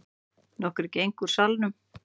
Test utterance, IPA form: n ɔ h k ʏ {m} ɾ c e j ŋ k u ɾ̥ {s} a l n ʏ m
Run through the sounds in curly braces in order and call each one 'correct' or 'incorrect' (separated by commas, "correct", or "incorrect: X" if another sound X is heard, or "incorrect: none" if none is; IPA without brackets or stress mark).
incorrect: none, correct